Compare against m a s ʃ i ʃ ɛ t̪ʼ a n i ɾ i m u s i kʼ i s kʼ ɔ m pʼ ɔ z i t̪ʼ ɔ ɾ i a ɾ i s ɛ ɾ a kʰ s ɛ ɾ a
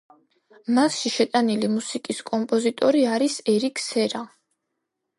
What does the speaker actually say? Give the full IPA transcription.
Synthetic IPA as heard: m a s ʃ i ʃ ɛ t̪ʼ a n i l i m u s i kʼ i s kʼ ɔ m pʼ ɔ z i t̪ʼ ɔ ɾ i a ɾ i s ɛ ɾ i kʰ s ɛ ɾ a